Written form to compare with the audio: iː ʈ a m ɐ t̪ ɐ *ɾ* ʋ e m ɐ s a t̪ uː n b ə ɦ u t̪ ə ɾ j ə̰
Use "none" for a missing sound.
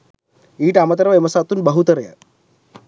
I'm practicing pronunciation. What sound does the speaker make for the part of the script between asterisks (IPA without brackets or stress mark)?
ɾ